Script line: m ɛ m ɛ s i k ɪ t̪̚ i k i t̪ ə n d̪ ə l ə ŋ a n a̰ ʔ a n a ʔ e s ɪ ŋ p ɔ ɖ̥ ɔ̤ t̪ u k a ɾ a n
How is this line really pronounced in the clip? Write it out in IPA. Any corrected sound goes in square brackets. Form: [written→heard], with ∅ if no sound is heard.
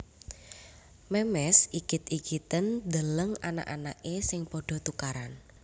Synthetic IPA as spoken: m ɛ m ɛ s i k ɪ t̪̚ i k i t̪ ə n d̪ ə l ə ŋ a n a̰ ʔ a n a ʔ e s ɪ ŋ p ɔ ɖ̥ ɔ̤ t̪ u k a ɾ a n